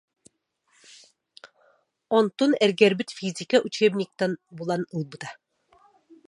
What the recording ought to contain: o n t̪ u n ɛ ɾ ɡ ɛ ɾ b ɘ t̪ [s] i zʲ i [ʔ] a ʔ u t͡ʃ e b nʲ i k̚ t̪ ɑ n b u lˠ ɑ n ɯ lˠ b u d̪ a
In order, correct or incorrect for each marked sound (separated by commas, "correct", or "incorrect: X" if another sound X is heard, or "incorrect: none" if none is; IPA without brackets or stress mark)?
incorrect: f, incorrect: k